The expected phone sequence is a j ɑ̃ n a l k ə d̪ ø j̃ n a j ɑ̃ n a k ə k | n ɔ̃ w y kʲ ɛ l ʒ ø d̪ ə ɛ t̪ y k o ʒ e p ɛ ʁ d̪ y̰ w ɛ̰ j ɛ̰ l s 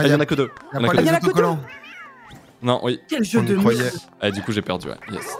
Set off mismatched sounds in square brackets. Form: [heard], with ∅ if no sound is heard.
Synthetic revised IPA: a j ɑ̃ n a [∅] k ə d̪ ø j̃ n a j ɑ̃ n a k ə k | n ɔ̃ w [i] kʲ ɛ l ʒ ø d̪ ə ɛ [d̪] y k [u] ʒ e p ɛ ʁ d̪ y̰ w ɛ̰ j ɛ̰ [∅] s